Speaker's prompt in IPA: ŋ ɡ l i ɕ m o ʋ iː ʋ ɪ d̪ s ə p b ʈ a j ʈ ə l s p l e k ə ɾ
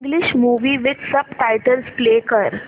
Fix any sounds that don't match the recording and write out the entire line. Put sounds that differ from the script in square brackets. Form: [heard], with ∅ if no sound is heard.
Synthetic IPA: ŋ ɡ l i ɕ m [u] ʋ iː ʋ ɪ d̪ s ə [∅] b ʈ a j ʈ ə l s p l e k ə ɾ